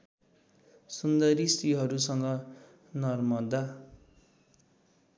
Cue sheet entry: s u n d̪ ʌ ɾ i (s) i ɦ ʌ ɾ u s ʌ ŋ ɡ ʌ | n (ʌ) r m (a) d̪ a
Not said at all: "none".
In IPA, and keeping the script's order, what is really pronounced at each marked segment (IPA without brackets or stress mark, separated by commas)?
s, ʌ, ʌ